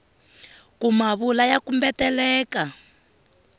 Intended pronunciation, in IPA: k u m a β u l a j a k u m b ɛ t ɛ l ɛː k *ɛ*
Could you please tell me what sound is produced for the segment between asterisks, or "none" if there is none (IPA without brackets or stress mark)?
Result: a